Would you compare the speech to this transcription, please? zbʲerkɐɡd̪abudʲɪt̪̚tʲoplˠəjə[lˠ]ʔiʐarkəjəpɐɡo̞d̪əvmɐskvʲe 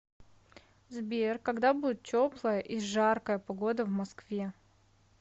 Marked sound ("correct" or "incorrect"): incorrect